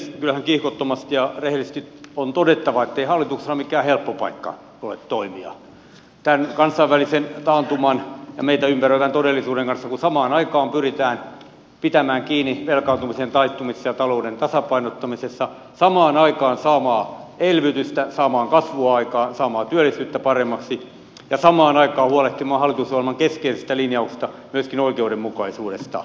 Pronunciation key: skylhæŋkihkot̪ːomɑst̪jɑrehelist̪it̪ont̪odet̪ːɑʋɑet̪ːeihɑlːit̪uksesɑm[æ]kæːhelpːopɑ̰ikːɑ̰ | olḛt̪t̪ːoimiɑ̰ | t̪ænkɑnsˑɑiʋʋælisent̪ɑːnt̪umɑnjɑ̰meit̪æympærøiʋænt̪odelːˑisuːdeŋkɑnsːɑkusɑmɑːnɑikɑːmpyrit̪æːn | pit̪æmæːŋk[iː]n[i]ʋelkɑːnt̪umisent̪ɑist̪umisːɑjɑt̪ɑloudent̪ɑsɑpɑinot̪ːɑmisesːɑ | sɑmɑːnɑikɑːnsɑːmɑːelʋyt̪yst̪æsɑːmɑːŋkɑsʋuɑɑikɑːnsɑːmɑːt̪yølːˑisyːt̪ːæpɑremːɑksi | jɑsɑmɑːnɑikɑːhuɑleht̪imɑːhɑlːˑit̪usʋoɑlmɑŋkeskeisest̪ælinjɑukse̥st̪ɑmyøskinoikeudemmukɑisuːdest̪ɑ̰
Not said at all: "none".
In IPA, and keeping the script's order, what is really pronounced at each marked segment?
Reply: i, iː, i

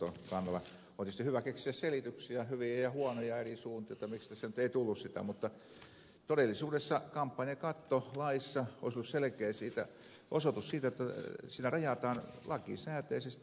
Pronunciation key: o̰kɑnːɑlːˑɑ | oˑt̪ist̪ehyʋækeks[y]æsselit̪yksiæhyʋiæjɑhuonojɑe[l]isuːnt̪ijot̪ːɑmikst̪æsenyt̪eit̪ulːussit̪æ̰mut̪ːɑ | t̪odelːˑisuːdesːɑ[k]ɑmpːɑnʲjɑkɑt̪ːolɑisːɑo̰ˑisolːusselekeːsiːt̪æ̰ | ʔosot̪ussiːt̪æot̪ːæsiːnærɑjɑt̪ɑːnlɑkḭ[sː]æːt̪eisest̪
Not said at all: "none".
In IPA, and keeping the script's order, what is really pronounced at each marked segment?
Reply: i, r, k, s

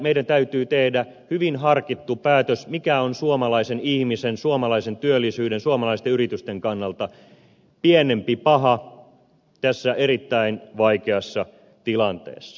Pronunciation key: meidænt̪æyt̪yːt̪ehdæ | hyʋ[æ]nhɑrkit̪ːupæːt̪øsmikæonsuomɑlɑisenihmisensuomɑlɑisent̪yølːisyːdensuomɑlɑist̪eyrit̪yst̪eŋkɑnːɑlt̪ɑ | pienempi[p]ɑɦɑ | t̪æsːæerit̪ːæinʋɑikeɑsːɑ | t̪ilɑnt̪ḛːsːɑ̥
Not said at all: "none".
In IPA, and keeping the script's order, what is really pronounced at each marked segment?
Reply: i, p

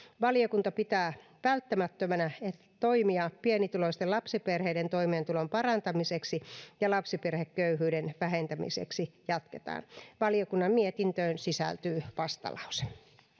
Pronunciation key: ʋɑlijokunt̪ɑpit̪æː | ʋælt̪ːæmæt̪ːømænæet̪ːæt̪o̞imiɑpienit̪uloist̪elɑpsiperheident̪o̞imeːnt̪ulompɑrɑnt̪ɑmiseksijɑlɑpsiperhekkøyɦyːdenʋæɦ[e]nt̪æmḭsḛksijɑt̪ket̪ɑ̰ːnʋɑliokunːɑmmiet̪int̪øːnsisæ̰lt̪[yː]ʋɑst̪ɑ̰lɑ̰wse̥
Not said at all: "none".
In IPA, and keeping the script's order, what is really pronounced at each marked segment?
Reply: e, yː

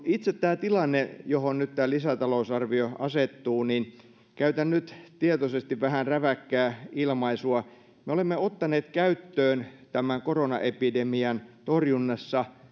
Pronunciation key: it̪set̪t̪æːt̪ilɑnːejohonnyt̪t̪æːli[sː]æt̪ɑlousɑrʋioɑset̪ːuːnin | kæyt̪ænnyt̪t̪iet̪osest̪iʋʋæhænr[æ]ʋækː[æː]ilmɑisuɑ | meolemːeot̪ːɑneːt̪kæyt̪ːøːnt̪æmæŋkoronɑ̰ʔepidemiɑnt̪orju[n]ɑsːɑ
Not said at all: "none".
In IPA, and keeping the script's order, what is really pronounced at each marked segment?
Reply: s, æ, æː, nː

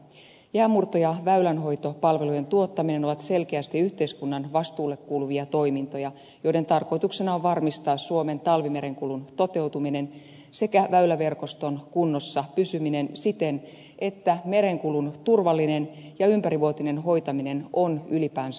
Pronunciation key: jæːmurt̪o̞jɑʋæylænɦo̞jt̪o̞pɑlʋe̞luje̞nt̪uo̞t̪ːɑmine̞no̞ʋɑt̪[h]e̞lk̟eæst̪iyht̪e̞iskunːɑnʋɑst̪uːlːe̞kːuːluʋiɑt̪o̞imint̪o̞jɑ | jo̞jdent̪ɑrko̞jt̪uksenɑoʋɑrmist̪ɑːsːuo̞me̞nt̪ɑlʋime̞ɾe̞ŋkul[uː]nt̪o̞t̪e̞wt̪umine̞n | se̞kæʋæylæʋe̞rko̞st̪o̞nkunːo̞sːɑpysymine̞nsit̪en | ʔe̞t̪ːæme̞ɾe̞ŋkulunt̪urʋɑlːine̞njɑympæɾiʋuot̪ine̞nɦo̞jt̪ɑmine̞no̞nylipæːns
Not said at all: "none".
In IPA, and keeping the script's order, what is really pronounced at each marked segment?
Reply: s, u

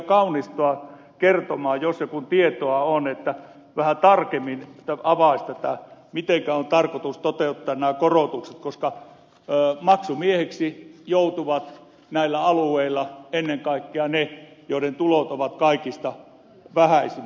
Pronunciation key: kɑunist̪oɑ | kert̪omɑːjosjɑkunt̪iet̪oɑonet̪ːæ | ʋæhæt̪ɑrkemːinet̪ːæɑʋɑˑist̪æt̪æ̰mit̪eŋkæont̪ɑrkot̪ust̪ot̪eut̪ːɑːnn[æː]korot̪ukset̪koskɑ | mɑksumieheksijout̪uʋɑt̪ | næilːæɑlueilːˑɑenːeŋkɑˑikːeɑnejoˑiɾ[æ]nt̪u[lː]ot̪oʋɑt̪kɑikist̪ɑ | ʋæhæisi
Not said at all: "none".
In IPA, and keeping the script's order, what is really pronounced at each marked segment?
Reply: æː, e, l

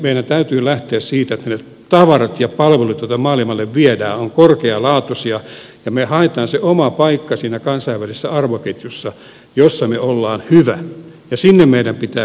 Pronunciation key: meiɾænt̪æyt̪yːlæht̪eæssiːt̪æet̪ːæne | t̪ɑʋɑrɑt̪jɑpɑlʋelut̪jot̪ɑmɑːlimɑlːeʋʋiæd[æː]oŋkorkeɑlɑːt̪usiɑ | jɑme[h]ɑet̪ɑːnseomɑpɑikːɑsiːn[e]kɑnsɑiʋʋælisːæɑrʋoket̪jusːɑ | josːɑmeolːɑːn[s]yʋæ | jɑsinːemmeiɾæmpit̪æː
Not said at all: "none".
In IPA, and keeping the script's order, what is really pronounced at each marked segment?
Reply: æː, h, æ, h

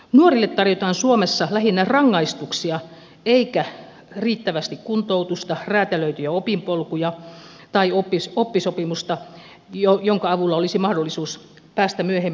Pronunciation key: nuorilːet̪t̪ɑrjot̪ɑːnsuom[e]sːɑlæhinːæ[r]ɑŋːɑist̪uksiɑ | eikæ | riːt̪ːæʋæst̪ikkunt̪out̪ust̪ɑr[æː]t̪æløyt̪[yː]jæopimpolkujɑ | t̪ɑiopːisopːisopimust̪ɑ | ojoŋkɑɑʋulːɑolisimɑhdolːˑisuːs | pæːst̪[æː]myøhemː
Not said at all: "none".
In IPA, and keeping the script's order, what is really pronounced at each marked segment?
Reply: e, r, æː, y, æ

